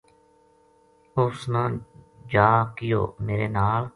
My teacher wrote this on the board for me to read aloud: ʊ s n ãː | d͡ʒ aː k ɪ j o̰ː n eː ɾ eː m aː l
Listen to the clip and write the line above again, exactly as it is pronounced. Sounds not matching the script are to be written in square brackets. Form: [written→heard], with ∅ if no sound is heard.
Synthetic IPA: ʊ s n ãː | d͡ʒ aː k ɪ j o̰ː [n→m] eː ɾ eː [m→n] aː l